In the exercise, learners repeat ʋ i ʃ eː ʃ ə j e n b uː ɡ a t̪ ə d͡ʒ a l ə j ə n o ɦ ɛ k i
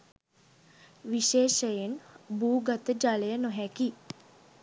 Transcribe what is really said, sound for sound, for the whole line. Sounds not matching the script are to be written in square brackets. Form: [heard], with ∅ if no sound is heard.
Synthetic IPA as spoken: ʋ i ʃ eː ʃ ə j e n b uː ɡ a t̪ ə d͡ʒ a l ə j ə n o ɦ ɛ k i